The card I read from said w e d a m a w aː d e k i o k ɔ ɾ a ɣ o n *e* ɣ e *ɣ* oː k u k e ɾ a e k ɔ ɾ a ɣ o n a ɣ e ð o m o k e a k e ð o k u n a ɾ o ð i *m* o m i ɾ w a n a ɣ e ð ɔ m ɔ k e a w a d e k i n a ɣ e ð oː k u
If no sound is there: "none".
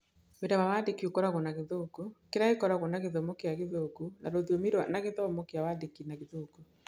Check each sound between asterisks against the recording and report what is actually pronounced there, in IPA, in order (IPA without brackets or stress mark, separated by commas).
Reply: a, ð, none